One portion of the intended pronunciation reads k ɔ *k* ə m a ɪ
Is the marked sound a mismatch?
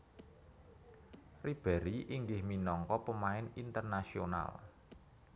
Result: yes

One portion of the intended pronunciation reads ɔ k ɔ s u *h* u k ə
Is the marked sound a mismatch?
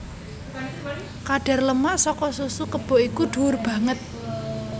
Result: yes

